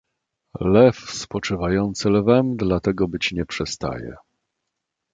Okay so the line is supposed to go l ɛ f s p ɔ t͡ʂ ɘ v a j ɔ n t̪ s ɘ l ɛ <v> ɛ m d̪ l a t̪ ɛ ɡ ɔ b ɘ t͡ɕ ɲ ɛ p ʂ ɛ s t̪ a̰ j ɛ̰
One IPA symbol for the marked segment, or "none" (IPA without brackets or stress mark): v